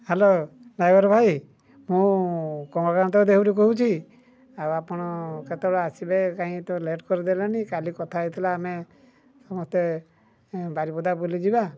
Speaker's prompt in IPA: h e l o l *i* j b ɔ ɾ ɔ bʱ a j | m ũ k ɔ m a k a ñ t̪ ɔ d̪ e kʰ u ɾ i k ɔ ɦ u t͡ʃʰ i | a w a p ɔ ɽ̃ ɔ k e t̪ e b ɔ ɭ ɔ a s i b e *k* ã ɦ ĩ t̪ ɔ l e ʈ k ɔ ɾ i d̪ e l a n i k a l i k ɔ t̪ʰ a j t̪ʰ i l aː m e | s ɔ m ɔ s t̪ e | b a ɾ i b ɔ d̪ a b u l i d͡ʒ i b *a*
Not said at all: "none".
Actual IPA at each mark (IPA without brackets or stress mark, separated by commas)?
a, k, a